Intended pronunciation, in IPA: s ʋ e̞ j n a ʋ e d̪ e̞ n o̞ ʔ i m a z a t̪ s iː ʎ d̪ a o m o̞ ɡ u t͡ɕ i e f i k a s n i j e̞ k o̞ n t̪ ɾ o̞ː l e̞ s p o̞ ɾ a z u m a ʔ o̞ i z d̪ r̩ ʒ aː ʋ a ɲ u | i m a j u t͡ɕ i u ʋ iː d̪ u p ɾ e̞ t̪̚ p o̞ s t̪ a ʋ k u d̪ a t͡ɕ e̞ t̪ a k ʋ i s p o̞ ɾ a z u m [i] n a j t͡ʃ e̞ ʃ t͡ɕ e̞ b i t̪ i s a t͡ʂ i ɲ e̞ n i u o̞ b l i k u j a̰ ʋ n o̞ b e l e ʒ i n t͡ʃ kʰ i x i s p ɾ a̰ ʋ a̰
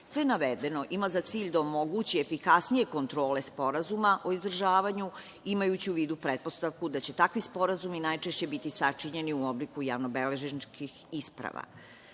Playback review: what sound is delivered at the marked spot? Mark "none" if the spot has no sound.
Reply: i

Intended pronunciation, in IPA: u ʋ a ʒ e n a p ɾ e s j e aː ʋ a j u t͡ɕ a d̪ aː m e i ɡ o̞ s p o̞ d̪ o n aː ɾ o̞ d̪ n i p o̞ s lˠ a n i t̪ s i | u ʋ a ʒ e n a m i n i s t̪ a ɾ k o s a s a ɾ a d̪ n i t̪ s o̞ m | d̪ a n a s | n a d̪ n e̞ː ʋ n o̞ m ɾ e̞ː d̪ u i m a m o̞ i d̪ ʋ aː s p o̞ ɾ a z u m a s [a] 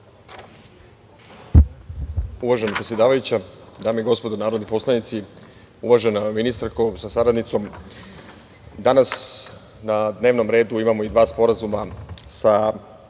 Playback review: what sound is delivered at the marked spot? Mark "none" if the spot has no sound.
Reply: a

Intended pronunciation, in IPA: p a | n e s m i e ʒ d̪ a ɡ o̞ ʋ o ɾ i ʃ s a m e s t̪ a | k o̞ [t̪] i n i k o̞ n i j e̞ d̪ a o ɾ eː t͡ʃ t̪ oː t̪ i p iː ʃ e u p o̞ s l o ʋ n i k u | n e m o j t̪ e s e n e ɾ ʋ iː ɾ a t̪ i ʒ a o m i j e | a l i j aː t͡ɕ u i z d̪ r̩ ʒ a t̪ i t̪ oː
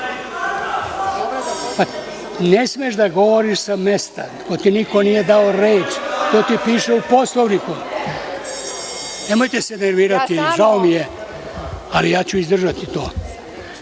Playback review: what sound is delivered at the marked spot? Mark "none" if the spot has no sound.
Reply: t̪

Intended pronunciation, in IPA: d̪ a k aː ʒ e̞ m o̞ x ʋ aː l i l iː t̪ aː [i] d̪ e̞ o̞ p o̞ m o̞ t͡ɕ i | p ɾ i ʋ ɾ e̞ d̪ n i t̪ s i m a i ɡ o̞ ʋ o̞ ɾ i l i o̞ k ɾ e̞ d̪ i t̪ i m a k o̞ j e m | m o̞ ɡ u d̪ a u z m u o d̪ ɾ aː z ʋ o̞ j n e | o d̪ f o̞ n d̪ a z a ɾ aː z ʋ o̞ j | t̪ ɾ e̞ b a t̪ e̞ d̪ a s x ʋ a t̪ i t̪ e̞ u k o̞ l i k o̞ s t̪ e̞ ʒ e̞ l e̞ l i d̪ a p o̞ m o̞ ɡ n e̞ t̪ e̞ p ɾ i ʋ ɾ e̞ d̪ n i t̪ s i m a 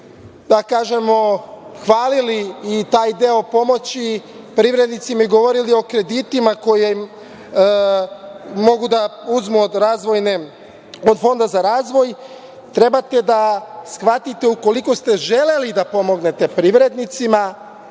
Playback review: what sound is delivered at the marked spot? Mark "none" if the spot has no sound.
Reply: j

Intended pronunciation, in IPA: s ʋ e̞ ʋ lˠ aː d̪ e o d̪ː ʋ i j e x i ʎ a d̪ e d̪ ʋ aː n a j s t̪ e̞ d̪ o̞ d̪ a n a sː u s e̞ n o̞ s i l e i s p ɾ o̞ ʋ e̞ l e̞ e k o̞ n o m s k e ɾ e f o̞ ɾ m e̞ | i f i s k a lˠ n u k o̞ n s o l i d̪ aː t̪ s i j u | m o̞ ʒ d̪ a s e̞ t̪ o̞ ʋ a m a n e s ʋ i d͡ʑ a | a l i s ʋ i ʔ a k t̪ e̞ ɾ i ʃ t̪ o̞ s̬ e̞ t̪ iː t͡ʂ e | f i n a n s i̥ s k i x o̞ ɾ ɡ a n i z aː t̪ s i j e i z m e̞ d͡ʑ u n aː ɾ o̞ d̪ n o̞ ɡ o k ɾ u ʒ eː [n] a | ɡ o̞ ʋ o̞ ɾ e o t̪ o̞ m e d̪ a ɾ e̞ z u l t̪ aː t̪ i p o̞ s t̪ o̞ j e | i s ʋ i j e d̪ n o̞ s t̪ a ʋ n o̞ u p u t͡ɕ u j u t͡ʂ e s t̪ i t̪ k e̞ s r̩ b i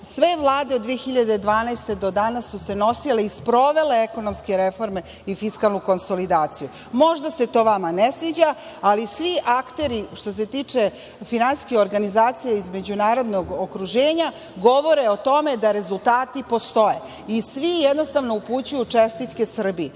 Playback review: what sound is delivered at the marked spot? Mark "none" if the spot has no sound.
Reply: ɲ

